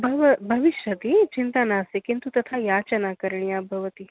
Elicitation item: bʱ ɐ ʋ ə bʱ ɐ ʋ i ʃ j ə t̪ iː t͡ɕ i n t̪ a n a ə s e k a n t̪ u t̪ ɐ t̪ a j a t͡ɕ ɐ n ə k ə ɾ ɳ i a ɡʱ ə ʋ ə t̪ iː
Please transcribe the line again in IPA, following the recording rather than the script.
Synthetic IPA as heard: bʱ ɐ ʋ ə bʱ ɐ ʋ i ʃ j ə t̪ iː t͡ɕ i n t̪ a n a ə s e k i n t̪ u t̪ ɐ t̪ʰ a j a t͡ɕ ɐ n a k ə ɾ ɳ i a bʱ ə ʋ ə t̪ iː